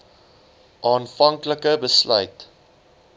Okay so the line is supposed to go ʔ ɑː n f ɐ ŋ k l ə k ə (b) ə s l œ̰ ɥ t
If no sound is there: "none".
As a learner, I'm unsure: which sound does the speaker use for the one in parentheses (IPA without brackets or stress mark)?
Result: b